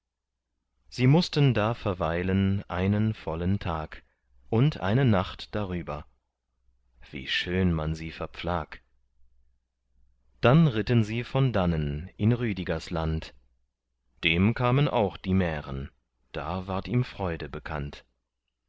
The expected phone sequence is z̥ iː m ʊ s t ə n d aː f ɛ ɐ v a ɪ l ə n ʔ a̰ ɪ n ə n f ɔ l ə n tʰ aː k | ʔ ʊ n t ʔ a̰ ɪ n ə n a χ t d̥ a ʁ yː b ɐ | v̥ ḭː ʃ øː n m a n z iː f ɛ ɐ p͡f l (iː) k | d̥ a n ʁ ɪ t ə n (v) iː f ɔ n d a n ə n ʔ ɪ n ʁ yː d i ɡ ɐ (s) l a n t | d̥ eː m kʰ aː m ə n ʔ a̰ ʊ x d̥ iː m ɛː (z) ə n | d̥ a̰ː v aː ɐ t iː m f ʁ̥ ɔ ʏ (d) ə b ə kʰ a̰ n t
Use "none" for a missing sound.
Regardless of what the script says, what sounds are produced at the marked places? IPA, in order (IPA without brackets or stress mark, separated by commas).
aː, z, s, ʁ, d